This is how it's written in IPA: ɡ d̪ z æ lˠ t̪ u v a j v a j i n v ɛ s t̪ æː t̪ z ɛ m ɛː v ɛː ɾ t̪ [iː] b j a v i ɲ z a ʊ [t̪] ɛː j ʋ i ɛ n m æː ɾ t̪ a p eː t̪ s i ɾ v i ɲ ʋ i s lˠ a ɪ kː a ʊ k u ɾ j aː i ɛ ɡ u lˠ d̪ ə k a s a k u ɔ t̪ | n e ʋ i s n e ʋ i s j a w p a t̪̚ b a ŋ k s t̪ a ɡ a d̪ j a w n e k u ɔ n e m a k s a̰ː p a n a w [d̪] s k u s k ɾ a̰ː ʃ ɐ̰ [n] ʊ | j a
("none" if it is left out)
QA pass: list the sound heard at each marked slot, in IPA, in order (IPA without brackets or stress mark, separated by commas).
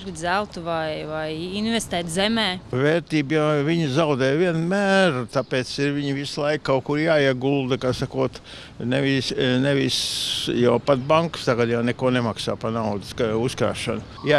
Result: iː, d̪, d̪, n